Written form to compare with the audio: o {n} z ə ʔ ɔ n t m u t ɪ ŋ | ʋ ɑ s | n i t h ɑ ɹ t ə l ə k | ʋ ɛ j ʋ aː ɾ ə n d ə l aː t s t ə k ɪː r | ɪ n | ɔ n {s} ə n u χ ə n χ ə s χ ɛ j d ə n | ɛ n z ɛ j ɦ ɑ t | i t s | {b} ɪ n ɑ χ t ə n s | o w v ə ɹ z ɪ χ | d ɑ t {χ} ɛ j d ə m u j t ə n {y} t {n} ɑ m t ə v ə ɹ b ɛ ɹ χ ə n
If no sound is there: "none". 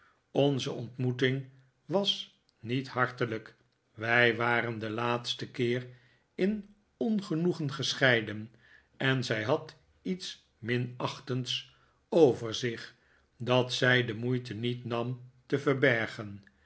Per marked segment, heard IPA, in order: n, χ, m, s, i, n

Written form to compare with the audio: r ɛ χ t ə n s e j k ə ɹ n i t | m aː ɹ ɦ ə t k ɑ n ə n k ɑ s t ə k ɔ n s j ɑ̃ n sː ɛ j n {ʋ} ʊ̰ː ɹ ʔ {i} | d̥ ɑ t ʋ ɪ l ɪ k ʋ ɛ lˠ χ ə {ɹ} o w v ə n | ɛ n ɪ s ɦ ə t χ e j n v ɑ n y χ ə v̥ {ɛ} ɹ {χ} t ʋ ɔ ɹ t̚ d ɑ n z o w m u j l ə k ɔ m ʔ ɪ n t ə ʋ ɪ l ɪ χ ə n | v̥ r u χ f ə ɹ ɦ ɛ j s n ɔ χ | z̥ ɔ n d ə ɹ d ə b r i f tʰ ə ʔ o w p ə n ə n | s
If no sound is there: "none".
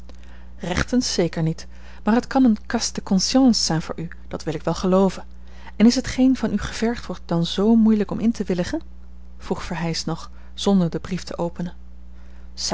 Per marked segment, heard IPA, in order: v, y, l, ɛ, χ

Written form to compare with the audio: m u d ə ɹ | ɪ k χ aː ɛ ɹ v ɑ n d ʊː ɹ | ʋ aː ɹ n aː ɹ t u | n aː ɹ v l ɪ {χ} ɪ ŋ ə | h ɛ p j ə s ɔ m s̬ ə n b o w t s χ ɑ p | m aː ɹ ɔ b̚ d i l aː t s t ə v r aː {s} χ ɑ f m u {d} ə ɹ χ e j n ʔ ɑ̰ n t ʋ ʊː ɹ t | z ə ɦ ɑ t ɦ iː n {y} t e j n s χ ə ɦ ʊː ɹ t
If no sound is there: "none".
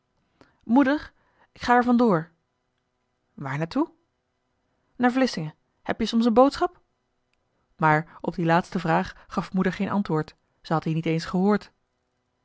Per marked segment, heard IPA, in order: s, χ, d, i

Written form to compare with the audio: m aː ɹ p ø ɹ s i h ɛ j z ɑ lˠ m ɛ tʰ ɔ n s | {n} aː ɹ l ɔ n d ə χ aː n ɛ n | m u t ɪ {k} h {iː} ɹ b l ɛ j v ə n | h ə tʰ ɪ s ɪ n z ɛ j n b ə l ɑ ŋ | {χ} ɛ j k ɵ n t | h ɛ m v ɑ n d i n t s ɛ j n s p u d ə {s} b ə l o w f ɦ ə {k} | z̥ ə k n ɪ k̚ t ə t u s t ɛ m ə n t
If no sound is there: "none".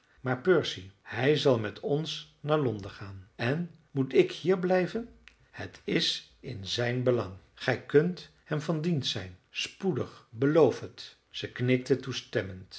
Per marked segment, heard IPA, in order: n, k, iː, χ, χ, t

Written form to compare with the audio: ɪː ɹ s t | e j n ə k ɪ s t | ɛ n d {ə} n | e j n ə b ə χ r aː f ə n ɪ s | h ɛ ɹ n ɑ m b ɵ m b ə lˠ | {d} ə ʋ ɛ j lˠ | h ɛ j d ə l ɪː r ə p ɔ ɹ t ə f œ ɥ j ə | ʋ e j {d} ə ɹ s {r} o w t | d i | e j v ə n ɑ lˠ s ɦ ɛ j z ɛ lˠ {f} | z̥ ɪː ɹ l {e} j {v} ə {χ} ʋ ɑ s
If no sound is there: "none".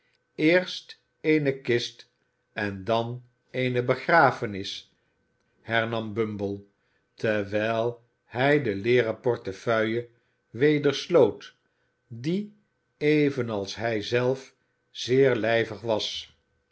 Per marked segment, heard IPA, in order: ɑ, t, d, l, f, ɛ, v, χ

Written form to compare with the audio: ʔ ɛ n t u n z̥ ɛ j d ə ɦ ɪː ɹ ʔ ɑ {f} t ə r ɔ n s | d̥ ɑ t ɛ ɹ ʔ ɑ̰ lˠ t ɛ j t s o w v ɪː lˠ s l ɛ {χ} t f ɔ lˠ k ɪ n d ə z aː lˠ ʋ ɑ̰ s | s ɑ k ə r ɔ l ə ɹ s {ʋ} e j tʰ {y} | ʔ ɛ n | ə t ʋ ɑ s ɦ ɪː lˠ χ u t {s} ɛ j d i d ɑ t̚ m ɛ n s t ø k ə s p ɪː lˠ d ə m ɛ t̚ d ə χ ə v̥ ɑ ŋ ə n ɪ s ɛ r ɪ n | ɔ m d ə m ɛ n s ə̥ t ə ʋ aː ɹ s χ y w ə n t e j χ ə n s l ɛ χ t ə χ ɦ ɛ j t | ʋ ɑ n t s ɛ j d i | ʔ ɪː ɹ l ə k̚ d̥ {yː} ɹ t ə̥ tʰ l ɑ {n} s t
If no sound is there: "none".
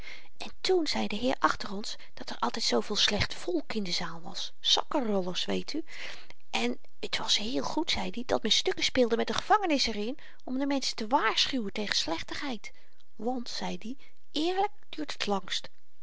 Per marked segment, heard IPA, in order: χ, χ, ʋ, y, s, yː, ŋ

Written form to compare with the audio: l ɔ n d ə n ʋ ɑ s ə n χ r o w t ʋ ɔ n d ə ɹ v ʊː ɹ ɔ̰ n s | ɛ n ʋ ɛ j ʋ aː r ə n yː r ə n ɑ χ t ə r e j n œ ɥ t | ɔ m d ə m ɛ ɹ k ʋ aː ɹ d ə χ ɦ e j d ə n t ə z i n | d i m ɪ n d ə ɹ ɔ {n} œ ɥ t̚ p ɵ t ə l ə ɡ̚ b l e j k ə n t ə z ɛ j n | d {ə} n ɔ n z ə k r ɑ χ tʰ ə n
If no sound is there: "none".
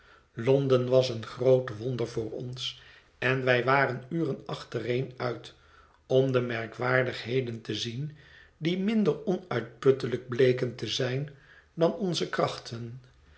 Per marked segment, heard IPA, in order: n, ɑ

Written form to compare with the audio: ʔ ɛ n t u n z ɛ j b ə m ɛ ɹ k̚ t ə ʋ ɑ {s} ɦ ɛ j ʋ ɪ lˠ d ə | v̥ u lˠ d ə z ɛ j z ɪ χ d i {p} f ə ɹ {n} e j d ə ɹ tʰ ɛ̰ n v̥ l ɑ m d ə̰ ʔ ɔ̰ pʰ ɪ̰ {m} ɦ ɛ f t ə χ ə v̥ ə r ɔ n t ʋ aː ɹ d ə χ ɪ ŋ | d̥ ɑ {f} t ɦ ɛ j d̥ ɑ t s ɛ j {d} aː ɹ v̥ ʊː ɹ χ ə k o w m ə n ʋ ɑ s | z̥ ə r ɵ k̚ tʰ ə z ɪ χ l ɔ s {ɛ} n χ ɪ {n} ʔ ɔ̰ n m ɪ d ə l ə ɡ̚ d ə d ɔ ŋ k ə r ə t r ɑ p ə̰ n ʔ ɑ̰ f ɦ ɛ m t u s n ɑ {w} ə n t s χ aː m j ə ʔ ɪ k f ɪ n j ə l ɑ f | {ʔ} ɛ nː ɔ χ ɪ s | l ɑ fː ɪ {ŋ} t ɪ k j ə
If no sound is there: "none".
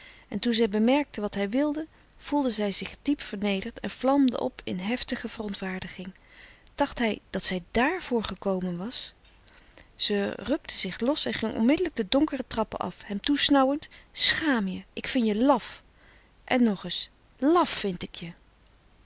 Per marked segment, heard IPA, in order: t, p, n, n, χ, d, ɛ, ŋ, w, ʔ, n

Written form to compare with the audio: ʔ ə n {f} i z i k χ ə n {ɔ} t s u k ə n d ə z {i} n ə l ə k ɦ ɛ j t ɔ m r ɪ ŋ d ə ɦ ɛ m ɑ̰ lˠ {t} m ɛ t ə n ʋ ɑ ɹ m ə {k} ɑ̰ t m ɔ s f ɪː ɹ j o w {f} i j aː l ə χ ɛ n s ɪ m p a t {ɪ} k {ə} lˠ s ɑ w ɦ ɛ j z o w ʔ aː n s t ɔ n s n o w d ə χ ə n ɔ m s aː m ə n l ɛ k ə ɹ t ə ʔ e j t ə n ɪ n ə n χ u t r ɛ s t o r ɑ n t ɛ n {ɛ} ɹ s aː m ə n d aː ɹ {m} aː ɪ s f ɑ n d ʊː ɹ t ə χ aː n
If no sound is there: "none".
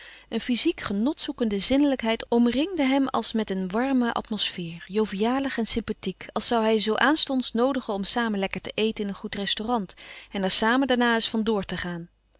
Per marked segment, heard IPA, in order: f, ɔ, ɪ, s, ʔ, v, i, ɑ, ɛ, n

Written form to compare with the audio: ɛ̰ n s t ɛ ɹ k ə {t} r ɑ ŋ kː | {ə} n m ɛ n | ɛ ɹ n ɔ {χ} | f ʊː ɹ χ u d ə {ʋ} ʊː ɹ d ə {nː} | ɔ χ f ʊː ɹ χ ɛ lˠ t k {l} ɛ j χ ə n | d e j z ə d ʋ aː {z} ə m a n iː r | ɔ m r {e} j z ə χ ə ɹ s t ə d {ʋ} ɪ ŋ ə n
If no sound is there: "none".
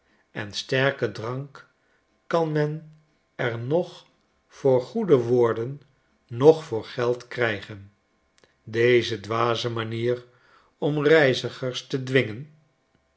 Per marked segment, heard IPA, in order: d, ɑ, χ, ʋ, nː, r, z, ɛ, ʋ

